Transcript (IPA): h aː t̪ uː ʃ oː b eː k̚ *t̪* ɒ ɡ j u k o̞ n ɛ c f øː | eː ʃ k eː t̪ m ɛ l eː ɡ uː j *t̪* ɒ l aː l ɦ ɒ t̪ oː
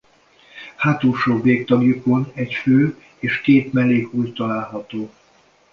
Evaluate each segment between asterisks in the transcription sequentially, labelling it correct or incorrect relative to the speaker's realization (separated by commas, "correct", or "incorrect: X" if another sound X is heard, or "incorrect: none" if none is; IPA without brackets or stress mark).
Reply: correct, correct